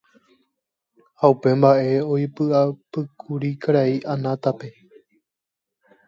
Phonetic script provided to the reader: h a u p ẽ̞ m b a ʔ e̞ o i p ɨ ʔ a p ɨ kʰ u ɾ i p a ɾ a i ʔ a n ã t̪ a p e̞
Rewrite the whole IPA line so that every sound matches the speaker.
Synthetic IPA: h a u p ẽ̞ m b a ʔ e̞ o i p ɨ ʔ a p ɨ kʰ u ɾ i k a ɾ a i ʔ a n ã t̪ a p e̞